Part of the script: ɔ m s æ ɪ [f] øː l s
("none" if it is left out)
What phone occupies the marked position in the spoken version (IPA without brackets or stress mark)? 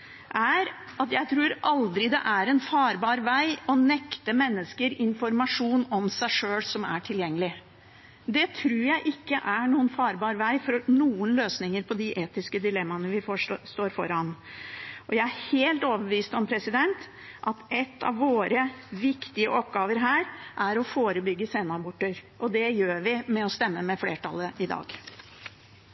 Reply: ʂ